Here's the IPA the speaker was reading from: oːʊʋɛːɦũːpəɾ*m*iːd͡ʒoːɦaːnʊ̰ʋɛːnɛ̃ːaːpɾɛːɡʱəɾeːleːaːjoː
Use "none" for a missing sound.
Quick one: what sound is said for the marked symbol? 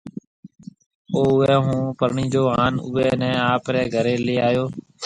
ɳ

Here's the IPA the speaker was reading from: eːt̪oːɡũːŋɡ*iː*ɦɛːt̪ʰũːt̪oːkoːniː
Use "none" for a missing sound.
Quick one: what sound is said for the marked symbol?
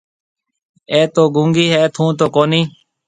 iː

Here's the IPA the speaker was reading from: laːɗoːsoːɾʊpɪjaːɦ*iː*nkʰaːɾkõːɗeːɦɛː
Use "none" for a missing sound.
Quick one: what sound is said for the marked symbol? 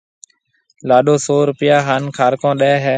aː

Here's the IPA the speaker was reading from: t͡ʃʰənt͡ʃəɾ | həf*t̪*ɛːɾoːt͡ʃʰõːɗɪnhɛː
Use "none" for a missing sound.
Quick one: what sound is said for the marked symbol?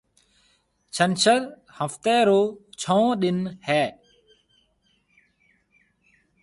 t̪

